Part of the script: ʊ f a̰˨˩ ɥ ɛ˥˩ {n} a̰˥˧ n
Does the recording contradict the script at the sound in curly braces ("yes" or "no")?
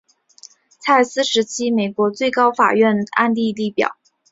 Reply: no